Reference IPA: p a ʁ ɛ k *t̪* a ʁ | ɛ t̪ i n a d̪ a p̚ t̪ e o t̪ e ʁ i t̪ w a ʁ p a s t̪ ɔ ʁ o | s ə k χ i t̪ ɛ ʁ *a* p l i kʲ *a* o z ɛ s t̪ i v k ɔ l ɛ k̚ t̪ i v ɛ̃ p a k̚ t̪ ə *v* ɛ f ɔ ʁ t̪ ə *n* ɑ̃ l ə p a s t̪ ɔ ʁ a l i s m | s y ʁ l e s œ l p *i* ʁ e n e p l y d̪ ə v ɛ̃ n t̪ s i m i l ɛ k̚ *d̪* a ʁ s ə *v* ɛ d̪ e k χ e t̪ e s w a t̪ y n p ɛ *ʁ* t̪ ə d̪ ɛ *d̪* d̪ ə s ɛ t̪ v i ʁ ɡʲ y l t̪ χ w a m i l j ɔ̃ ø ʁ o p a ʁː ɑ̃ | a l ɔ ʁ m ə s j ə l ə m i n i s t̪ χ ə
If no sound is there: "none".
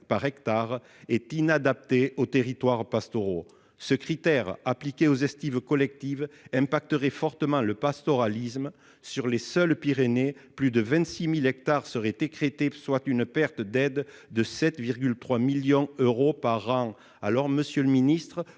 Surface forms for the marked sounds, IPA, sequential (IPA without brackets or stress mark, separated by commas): t̪, a, e, ʁ, m, i, t̪, ʁ, ʁ, d̪